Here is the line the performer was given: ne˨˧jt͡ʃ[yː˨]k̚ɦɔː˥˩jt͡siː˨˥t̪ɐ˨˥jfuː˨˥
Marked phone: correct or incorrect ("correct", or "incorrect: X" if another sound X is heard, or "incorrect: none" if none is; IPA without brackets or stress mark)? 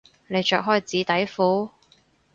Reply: incorrect: œː˨